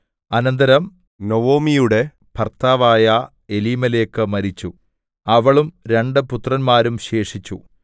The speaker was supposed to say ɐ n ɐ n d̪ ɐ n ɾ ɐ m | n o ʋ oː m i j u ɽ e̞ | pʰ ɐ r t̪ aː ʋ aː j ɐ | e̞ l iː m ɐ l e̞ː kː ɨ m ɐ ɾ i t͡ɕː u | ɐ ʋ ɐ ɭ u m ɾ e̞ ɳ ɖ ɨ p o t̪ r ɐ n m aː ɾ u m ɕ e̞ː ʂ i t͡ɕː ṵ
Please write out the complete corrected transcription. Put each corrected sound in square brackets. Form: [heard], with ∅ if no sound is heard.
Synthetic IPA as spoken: ɐ n ɐ n d̪ ɐ [∅] ɾ ɐ m | n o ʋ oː m i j u ɽ e̞ | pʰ ɐ r t̪ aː ʋ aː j ɐ | e̞ l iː m ɐ l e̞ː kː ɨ m ɐ ɾ i t͡ɕː u | ɐ ʋ ɐ ɭ u m ɾ e̞ ɳ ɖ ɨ p [u] t̪ r ɐ n m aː ɾ u m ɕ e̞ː ʂ i t͡ɕː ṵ